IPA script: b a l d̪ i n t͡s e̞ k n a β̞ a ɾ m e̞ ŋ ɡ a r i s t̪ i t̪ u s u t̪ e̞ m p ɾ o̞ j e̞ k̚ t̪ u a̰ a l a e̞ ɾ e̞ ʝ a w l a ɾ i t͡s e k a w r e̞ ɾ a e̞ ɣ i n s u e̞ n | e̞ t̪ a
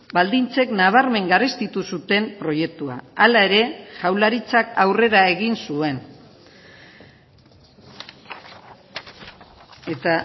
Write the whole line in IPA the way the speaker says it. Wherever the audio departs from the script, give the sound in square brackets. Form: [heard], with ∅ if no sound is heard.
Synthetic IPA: b a l d̪ i n t͡s e̞ k n a β̞ a ɾ m e̞ ŋ ɡ a r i s t̪ i t̪ u s u t̪ e̞ m p ɾ o̞ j e̞ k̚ t̪ u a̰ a l a e̞ ɾ e̞ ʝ a w l a ɾ i t͡s [a] k a w r e̞ ɾ a e̞ ɣ i n s u e̞ n | e̞ t̪ a